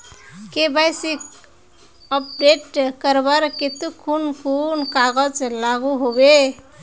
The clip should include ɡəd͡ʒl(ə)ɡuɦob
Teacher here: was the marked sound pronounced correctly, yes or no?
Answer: no